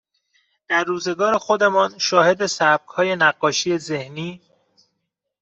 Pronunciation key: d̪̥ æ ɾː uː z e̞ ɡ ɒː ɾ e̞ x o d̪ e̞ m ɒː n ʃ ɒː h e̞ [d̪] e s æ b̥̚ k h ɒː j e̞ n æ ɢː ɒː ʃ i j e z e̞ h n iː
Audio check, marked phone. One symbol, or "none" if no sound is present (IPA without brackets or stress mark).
d̪